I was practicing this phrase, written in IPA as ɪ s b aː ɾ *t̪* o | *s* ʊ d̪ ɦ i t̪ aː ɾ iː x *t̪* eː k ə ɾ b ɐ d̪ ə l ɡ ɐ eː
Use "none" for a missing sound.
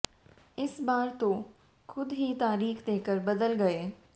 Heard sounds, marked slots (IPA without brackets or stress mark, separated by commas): t̪, x, d̪